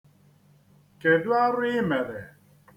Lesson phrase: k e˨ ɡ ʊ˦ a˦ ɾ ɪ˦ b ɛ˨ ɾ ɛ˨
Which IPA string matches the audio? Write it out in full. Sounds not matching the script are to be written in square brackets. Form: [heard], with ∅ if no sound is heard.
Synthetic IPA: k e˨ [d] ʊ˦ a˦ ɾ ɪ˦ [m] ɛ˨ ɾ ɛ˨